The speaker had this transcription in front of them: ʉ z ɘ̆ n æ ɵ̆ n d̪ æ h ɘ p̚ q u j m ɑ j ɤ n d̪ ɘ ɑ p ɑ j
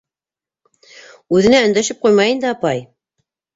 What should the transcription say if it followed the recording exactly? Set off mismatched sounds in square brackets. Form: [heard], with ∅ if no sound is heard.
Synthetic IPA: ʉ [ð] ɘ̆ n æ ɵ̆ n d̪ æ [ʃ] ɘ p̚ q u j m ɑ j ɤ n d̪ ɘ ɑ p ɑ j

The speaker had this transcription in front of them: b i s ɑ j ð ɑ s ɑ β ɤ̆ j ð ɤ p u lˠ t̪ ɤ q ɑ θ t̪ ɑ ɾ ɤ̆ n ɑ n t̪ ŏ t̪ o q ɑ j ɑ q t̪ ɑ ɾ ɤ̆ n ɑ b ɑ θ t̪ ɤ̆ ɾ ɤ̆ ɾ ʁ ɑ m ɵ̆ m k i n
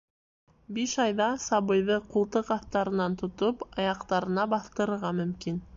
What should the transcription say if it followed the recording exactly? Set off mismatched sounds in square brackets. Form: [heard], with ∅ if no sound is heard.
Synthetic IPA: b i [ʃ] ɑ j ð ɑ s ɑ β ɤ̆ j ð ɤ [q] u lˠ t̪ ɤ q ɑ θ t̪ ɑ ɾ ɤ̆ n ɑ n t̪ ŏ t̪ o [p] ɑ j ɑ q t̪ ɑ ɾ ɤ̆ n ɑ b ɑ θ t̪ ɤ̆ ɾ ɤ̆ ɾ ʁ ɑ m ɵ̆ m k i n

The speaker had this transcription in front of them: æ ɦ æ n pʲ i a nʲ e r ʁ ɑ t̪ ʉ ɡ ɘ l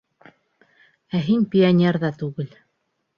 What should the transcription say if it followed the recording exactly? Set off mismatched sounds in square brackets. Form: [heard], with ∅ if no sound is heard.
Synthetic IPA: æ ɦ [i] n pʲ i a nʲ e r [ð] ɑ t̪ ʉ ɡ ɘ l

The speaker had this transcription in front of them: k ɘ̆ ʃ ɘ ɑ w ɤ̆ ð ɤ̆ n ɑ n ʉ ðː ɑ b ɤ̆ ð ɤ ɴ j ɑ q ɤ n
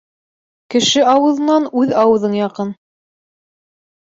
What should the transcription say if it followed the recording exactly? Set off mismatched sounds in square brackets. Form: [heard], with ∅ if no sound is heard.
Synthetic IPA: k ɘ̆ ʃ ɘ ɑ w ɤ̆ ð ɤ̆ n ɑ n ʉ [ð] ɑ [w] ɤ̆ ð ɤ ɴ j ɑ q ɤ n

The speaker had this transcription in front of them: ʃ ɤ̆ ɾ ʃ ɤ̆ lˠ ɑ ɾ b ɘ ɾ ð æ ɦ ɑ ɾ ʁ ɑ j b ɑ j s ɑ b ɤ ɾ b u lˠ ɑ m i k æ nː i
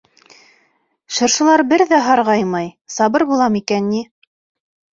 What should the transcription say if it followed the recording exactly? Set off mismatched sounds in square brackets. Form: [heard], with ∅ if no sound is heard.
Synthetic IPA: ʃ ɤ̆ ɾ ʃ ɤ̆ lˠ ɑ ɾ b ɘ ɾ ð æ ɦ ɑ ɾ ʁ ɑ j [m] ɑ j s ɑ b ɤ ɾ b u lˠ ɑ m i k æ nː i

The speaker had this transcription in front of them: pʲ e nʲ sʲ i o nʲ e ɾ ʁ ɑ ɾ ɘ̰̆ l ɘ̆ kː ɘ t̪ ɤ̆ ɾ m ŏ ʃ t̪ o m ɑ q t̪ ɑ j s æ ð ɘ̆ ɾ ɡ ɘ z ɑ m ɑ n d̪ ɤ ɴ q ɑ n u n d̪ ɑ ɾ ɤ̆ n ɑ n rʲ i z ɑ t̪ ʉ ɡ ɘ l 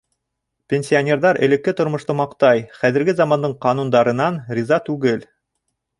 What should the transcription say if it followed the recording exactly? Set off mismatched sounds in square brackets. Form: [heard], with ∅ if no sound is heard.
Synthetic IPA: pʲ e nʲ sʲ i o nʲ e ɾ [ð] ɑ ɾ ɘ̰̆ l ɘ̆ kː ɘ t̪ [ŏ] ɾ m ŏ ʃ t̪ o m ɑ q t̪ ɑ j [χ] æ ð ɘ̆ ɾ ɡ ɘ z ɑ m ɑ n d̪ ɤ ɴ q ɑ n u n d̪ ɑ ɾ ɤ̆ n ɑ n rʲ i z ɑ t̪ ʉ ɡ ɘ l

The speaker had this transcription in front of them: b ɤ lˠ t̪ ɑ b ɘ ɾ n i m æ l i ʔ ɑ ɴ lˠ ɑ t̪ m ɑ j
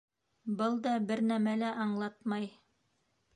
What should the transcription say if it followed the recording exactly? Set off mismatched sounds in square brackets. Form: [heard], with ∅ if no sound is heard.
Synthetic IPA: b ɤ lˠ [d̪] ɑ b ɘ ɾ n [æ] m æ l [æ] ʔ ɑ ɴ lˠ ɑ t̪ m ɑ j

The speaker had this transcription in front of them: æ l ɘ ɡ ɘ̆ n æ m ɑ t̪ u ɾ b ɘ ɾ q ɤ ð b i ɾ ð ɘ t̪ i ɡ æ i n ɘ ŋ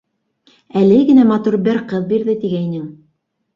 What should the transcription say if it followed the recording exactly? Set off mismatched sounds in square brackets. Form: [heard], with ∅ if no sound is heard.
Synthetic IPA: æ l ɘ ɡ ɘ̆ n æ m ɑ t̪ u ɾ b ɘ ɾ q ɤ ð b i ɾ ð ɘ t̪ i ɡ æ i n ɘ ŋ

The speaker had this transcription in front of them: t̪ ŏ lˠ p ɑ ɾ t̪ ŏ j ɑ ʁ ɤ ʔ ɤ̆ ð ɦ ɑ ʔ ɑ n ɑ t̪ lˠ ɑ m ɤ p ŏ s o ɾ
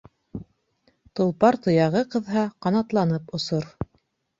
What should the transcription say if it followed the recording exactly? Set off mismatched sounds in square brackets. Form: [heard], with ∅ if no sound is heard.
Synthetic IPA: t̪ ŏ lˠ p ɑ ɾ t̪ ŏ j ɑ ʁ ɤ [q] ɤ̆ ð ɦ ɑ [q] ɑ n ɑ t̪ lˠ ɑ [n] ɤ p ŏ s o ɾ

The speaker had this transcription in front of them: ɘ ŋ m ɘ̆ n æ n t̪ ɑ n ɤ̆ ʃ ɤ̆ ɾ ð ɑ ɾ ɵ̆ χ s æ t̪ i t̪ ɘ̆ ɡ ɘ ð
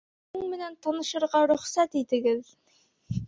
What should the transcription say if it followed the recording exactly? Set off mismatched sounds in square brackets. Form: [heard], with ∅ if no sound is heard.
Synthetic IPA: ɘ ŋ m ɘ̆ n æ n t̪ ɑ n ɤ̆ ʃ ɤ̆ ɾ [ʁ] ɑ ɾ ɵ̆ χ s æ t̪ i t̪ ɘ̆ ɡ ɘ ð

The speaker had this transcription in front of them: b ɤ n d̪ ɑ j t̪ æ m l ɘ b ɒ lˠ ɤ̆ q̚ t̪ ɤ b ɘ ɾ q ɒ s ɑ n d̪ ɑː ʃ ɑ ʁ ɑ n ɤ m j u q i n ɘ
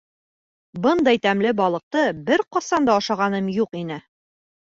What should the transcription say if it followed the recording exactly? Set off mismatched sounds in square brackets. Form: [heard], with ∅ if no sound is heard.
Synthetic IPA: b ɤ n d̪ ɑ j t̪ æ m l ɘ b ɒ lˠ ɤ̆ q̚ t̪ ɤ b ɘ ɾ q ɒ s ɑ n d̪ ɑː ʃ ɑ ʁ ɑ n ɤ m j u q i n ɘ

